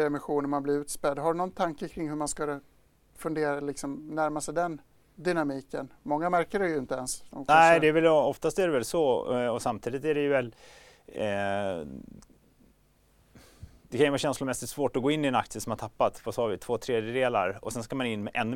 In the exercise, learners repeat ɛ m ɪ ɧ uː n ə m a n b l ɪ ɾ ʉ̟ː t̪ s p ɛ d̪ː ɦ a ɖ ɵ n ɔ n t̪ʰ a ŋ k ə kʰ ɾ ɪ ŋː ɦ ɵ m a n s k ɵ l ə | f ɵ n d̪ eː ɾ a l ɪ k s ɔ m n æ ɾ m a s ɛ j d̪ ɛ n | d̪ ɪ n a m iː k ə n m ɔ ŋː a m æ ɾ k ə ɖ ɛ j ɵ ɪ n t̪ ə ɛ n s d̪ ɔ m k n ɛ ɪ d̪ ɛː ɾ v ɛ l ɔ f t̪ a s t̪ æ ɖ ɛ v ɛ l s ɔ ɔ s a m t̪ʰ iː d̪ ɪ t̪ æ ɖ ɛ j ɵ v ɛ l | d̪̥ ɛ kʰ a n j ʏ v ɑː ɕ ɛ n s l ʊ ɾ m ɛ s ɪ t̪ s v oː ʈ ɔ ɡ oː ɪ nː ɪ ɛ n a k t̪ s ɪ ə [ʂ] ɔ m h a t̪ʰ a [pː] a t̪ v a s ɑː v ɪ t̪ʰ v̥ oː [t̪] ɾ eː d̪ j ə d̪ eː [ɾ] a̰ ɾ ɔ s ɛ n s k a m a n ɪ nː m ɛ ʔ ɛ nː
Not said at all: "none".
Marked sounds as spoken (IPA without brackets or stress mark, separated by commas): s, pː, t̪ʰ, l